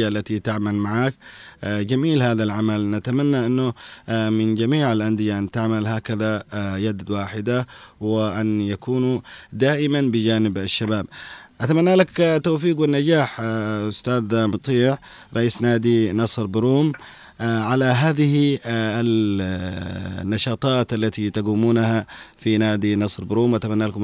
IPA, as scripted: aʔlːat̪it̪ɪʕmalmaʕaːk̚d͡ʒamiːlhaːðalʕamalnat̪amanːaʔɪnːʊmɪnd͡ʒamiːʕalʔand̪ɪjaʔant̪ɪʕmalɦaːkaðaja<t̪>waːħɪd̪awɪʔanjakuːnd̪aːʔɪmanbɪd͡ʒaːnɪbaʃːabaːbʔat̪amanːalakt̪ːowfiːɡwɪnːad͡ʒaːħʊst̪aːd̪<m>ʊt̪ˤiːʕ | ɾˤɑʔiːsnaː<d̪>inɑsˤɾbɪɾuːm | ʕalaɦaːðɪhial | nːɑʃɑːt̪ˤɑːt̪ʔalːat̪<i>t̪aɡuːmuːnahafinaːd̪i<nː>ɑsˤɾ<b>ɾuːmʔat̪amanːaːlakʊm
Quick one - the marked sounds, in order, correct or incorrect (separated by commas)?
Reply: incorrect, correct, correct, correct, incorrect, correct